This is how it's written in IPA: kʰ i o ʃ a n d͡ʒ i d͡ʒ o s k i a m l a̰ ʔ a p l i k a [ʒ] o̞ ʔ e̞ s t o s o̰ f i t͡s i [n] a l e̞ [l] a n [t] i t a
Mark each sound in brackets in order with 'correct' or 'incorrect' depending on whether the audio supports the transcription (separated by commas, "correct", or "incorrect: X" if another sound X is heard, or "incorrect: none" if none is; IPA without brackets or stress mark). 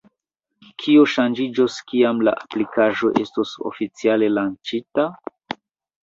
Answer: correct, incorrect: none, correct, incorrect: t͡ʃ